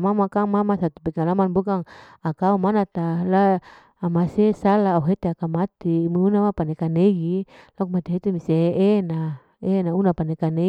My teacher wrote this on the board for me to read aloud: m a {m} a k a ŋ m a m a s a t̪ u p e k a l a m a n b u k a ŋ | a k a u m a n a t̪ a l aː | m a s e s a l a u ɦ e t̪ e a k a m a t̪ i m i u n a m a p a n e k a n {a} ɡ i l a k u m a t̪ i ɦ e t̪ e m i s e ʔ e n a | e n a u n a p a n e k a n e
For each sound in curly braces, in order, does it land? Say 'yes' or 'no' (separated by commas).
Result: yes, no